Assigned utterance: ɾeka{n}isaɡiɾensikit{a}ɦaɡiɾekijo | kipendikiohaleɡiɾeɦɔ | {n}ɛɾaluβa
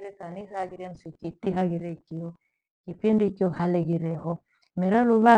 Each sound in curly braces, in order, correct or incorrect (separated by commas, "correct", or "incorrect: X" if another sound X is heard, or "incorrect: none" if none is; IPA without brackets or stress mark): correct, incorrect: i, incorrect: m